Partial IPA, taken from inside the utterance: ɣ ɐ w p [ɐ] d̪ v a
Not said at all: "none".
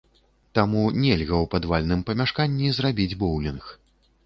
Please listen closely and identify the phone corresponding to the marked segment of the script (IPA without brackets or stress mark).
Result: a